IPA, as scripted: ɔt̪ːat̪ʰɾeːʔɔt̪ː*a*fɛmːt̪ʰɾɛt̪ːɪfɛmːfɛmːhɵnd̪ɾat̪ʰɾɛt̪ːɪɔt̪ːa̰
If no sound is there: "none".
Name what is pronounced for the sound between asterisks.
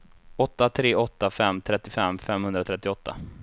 a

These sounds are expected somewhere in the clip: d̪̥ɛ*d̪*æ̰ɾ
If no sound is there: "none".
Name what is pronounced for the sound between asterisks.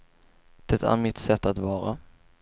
t̪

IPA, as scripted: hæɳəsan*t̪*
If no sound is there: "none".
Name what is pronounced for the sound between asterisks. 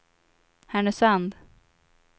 d̪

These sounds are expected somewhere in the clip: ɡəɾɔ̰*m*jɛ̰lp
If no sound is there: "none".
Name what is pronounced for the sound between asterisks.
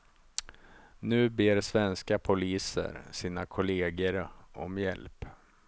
m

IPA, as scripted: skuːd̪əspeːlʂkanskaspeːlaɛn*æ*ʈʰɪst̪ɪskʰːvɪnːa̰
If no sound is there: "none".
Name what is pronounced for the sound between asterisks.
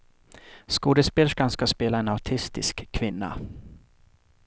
a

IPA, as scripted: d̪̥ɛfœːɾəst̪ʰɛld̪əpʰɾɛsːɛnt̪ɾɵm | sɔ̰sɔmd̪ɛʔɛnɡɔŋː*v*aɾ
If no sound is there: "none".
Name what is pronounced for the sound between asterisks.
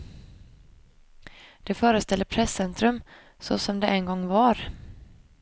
v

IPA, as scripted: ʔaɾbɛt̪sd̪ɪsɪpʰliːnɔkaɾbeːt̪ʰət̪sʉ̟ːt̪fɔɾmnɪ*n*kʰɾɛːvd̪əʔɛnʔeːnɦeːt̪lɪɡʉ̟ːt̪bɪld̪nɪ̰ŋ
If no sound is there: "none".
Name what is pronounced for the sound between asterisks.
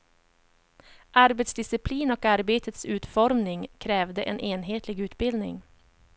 ŋ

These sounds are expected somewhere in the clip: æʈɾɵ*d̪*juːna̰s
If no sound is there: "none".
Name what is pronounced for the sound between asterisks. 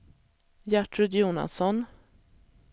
d̪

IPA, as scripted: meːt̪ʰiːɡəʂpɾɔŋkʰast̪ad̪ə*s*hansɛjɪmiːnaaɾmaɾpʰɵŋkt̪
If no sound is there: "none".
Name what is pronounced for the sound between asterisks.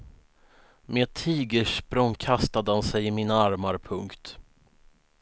none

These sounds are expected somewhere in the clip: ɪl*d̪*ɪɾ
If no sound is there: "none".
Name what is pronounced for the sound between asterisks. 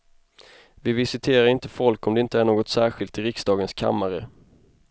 t̪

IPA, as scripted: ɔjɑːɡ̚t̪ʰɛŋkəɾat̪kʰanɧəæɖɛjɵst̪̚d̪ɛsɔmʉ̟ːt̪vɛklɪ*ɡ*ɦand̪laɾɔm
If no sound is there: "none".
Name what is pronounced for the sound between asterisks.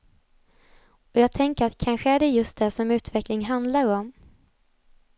ŋ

